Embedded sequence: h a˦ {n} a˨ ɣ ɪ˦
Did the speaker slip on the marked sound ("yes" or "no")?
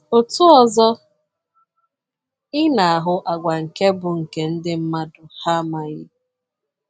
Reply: yes